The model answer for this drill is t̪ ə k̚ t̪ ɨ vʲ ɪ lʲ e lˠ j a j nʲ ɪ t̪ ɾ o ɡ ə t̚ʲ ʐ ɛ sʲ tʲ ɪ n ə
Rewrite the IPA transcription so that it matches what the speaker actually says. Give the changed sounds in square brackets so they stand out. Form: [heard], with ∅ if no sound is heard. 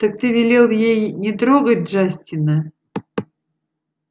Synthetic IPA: t̪ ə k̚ t̪ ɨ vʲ ɪ lʲ e lˠ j [e] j nʲ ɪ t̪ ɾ o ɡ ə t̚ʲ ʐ [a] sʲ tʲ ɪ n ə